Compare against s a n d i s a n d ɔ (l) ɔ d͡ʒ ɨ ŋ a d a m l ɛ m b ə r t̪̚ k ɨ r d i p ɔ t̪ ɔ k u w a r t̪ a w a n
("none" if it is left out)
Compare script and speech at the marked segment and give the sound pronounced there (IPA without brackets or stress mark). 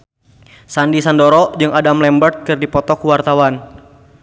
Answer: ɾ